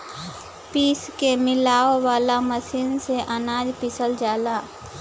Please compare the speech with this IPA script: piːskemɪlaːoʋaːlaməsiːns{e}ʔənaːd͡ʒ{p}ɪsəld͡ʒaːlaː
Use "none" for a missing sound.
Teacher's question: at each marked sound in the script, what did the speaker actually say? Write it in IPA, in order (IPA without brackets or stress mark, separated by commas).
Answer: e, p